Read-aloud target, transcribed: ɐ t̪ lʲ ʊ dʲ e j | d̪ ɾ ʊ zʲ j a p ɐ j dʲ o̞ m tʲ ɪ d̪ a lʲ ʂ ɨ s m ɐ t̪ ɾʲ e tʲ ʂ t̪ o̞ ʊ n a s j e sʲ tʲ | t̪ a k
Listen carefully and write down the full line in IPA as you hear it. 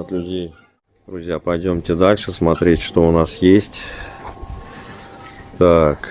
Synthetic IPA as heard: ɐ t̪ lʲ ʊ dʲ e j | d̪ ɾ ʊ zʲ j a p ɐ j dʲ o̞ m tʲ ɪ d̪ a lʲ ʂ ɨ s m ɐ t̪ ɾʲ e tʲ ʂ t̪ o̞ ʊ n a s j e sʲ tʲ | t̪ a k

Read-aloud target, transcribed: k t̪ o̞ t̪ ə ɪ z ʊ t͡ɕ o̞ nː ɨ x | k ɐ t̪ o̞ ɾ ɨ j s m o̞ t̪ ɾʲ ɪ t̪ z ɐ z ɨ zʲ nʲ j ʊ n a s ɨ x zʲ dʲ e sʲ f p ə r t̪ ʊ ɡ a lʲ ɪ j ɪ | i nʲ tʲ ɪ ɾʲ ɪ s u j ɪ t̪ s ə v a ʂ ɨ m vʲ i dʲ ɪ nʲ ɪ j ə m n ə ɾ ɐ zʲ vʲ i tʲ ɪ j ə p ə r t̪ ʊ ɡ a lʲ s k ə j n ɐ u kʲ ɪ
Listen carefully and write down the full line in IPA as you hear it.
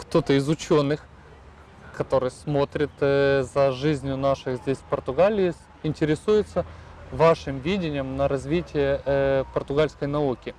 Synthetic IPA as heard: k t̪ o̞ t̪ ə ɪ z ʊ t͡ɕ o̞ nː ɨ x | k ɐ t̪ o̞ ɾ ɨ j s m o̞ t̪ ɾʲ ɪ t̪ z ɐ ʐ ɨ zʲ nʲ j ʊ n a ʂ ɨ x zʲ dʲ e sʲ f p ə r t̪ ʊ ɡ a lʲ ɪ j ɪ | ɪ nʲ tʲ ɪ ɾʲ ɪ s u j ɪ t̪ s ə v a ʂ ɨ m vʲ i dʲ ɪ nʲ ɪ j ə m n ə ɾ ɐ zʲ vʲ i tʲ ɪ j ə p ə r t̪ ʊ ɡ a lʲ s k ə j n ɐ u kʲ ɪ

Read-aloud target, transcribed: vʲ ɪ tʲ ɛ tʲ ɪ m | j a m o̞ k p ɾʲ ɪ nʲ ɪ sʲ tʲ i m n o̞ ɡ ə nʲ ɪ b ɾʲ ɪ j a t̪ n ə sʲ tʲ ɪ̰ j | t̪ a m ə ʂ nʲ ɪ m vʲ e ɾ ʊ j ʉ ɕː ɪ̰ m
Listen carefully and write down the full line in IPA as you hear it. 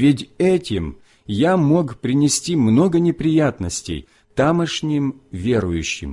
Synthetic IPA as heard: vʲ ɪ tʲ ɛ tʲ ɪ m | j a m o̞ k p ɾʲ ɪ nʲ ɪ sʲ tʲ i m n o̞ ɡ ə nʲ ɪ p ɾʲ ɪ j a t̪ n ə sʲ tʲ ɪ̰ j | t̪ a m ə ʂ nʲ ɪ m vʲ e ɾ ʊ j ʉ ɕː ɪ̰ m

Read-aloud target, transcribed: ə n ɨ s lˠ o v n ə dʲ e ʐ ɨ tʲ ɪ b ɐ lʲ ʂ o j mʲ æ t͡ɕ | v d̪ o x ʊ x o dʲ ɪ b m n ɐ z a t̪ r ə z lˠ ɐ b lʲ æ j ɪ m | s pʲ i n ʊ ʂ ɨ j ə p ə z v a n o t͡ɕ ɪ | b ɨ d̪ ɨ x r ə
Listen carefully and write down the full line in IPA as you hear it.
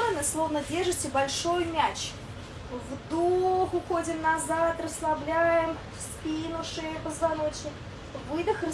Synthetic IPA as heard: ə n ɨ s lˠ o v n ə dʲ e ʐ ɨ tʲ ɪ b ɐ lʲ ʂ o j mʲ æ t͡ɕ | v d̪ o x ʊ x o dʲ ɪ m n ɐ z a t̪ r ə s lˠ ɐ b lʲ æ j ɪ m | s pʲ i n ʊ ʂ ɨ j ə p ə z v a n o t͡ɕ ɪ | v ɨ d̪ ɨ x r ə

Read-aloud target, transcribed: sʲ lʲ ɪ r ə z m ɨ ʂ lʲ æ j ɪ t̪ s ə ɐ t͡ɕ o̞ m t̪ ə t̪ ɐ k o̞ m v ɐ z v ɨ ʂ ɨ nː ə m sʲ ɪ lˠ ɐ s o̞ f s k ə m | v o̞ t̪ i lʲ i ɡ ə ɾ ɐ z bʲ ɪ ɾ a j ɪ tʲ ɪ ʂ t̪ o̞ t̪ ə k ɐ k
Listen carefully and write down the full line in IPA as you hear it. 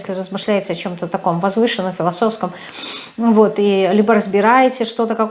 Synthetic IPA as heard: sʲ lʲ ɪ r ə z m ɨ ʂ lʲ æ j ɪ t̪ s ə ɐ t͡ɕ o̞ m t̪ ə t̪ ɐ k o̞ m v ɐ z v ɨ ʂ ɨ nː ə m fʲ ɪ lˠ ɐ s o̞ f s k ə m | v o̞ t̪ i lʲ i b ə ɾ ə z bʲ ɪ ɾ a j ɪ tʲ ɪ ʂ t̪ o̞ t̪ ə k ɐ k

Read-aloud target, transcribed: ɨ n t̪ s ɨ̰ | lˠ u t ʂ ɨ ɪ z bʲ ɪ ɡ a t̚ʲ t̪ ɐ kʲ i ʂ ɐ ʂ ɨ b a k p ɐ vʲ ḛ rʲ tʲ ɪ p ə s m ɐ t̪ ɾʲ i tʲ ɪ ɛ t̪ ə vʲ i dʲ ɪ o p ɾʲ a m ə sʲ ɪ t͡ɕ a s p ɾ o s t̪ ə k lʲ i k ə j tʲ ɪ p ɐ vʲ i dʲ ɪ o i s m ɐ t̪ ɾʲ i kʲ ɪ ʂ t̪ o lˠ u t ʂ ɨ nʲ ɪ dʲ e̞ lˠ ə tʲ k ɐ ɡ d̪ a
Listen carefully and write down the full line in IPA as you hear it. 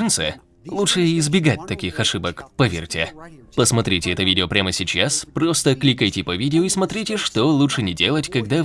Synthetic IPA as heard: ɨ n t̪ s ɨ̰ | lˠ u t ʂ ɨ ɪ z bʲ ɪ ɡ a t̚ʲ t̪ ɐ kʲ i x ɐ ʂ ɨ b ə k p ɐ vʲ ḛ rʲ tʲ ɪ p ə s m ɐ t̪ ɾʲ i tʲ ɪ ɛ t̪ ə vʲ i dʲ ɪ o p ɾʲ a m ə sʲ ɪ t͡ɕ a s p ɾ o s t̪ ə k lʲ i k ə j tʲ ɪ p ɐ vʲ i dʲ ɪ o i s m ɐ t̪ ɾʲ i tʲ ɪ ʂ t̪ o lˠ u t ʂ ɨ nʲ ɪ dʲ e̞ lˠ ə tʲ k ɐ ɡ d̪ a

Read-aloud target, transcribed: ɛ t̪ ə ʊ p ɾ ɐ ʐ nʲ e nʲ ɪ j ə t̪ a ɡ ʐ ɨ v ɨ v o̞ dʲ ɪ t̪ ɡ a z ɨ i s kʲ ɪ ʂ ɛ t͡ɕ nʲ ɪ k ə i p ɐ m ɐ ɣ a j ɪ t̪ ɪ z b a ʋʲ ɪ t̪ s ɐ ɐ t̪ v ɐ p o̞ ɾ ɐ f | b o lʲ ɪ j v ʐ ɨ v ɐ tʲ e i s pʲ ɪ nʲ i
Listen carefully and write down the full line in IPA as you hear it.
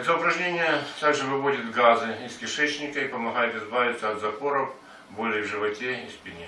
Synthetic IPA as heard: ɛ t̪ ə ʊ p ɾ ɐ ʐ nʲ e nʲ ɪ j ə t̪ a ɡ ʐ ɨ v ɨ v o̞ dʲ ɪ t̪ ɡ a z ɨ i s kʲ ɪ ʂ ɛ t͡ɕ nʲ ɪ k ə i p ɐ m ɐ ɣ a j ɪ t̪ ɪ z b a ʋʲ ɪ t̪ s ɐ ɐ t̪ z ɐ p o̞ ɾ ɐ f | b o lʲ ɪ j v ʐ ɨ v ɐ tʲ e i s pʲ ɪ nʲ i

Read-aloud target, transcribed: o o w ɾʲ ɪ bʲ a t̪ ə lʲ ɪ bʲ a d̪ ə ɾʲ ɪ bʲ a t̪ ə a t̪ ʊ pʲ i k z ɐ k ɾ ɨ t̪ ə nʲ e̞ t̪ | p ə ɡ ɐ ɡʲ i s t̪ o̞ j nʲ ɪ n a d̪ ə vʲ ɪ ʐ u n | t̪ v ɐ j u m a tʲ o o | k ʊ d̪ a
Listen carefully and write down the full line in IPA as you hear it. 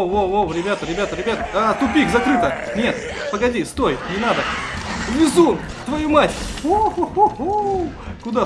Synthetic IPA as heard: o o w ɾʲ ɪ bʲ a t̪ ə ɾʲ ɪ bʲ a t̪ ə ɾʲ ɪ bʲ a t̪ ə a t̪ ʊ pʲ i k z ɐ k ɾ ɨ t̪ ə nʲ e̞ t̪ | p ə ɡ ɐ dʲ i s t̪ o̞ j nʲ ɪ n a d̪ ə vʲ ɪ z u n | t̪ v ɐ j u m a tʲ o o | k ʊ d̪ a

